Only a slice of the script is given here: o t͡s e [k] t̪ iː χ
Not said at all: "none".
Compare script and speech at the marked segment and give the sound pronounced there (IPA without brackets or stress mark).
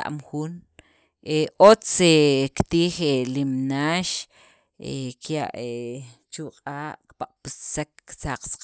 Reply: k